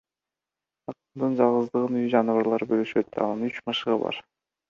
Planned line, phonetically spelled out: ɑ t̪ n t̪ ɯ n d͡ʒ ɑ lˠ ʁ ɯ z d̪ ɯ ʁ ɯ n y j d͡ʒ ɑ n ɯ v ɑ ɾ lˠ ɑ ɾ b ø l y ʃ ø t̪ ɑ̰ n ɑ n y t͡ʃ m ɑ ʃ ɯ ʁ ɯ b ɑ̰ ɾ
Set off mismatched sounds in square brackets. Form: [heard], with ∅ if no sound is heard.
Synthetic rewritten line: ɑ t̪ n [d̪] ɯ n d͡ʒ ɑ lˠ ʁ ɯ z d̪ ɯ ʁ ɯ n y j d͡ʒ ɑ n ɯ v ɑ ɾ lˠ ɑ ɾ b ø l y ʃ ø t̪ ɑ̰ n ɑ n y t͡ʃ m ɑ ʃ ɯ ʁ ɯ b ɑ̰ ɾ